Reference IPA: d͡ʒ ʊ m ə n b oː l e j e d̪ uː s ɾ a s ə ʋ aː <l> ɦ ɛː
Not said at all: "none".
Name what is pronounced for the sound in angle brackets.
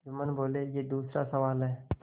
l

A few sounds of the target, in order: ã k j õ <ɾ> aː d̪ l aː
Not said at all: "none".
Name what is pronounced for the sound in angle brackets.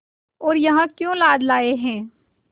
l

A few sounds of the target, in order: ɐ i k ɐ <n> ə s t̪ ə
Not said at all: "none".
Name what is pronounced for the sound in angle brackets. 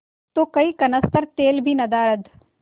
n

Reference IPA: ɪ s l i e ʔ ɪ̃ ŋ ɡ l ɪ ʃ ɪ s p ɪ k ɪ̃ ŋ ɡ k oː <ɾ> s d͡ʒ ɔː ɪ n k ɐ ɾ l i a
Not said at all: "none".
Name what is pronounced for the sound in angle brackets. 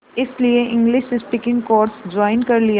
ɾ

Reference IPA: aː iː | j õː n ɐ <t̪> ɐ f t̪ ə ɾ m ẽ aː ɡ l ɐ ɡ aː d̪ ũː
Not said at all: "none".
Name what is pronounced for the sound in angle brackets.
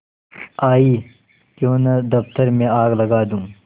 d̪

